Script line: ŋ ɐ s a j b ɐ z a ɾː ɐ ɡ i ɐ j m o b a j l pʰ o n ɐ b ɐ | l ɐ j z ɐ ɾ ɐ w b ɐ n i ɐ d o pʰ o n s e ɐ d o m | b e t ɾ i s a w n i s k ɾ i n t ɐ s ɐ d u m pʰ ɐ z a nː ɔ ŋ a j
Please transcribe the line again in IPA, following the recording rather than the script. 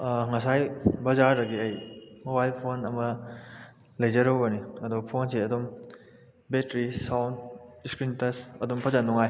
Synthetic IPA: ŋ ɐ s a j b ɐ z a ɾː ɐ ɡ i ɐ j m o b a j l pʰ o n ɐ m ɐ | l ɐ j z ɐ ɾ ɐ w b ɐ n i ɐ d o pʰ o n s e ɐ d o m | b e t ɾ i s a w n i s k ɾ i n t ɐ s ɐ d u m pʰ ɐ z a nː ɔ ŋ a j